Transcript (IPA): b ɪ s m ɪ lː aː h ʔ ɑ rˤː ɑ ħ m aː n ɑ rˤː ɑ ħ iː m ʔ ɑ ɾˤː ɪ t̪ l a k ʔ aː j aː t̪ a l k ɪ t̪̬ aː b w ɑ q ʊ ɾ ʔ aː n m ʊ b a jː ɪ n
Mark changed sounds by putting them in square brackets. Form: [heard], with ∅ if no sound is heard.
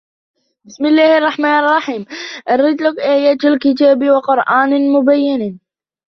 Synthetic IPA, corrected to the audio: b ɪ s m ɪ lː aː h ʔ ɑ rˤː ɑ ħ m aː n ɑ rˤː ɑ ħ iː m ʔ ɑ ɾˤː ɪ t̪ l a k ʔ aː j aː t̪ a l k ɪ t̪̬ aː b w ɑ q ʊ ɾ ʔ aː n m ʊ b a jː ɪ n

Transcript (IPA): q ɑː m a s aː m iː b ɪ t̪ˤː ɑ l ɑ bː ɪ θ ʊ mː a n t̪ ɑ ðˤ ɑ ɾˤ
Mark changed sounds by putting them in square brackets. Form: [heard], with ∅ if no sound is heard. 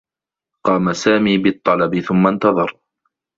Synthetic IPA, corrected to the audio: q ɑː m a s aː m iː b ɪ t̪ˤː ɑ l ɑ [b] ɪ θ ʊ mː a n t̪ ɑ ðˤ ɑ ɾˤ

